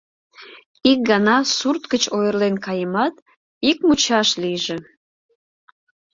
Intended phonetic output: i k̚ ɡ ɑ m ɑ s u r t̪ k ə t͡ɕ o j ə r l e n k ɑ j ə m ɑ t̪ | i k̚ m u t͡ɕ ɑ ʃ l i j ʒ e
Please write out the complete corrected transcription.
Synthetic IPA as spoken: i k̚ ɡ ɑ n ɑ s u r t̪ k ə t͡ɕ o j ə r l e n k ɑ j ə m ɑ t̪ | i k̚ m u t͡ɕ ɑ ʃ l i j ʒ e